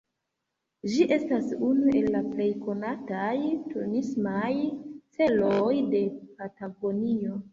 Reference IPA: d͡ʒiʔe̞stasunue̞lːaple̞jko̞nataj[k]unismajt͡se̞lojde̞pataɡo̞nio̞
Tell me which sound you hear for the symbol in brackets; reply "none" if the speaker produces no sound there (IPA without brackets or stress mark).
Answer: t